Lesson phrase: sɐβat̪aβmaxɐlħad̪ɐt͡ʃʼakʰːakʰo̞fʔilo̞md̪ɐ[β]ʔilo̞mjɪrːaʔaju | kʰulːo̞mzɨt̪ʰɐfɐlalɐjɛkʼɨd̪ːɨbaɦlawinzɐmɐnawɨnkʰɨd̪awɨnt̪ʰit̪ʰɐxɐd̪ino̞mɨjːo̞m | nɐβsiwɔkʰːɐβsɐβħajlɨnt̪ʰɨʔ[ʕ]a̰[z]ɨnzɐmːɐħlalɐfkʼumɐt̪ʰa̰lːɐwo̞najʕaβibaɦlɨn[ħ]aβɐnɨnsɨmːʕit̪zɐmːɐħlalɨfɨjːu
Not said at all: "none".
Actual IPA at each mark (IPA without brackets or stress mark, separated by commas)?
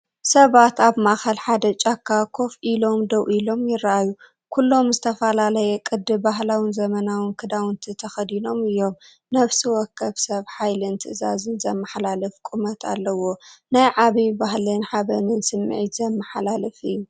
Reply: w, z, z, ħ